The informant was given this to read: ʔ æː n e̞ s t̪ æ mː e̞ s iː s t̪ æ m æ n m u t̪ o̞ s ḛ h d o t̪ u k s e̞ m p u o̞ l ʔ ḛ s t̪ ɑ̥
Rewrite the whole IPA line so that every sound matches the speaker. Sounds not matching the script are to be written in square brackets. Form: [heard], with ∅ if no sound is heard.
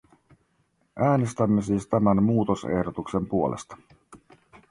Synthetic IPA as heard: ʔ æː n e̞ s t̪ æ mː e̞ s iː s t̪ æ m æ n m [uː] t̪ o̞ s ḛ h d o t̪ u k s e̞ m p u o̞ l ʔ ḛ s t̪ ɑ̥